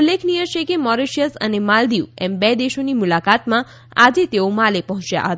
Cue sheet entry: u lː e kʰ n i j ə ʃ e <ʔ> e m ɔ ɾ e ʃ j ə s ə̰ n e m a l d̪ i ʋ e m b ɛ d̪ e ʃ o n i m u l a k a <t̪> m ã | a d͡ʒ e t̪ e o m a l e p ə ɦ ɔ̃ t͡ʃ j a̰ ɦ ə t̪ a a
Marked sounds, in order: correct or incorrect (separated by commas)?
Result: incorrect, correct